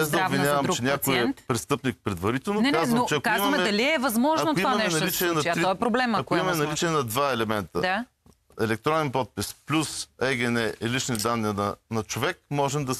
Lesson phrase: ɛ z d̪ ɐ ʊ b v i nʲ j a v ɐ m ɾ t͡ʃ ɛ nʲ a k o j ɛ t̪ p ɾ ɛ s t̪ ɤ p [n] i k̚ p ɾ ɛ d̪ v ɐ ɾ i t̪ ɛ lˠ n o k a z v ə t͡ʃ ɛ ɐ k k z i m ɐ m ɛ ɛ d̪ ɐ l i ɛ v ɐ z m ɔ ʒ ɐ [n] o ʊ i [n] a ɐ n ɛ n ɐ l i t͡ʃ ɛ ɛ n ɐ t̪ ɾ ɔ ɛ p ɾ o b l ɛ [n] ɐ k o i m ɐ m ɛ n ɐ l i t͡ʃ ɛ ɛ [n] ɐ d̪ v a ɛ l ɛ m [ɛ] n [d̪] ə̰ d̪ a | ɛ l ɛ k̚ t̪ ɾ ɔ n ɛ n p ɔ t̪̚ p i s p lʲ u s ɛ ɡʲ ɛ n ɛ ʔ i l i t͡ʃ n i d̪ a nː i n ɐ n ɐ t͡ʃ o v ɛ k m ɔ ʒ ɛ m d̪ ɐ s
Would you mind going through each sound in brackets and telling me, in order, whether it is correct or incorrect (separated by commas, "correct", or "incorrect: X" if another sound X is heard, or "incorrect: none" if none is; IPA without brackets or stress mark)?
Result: correct, correct, incorrect: m, incorrect: m, correct, correct, incorrect: t̪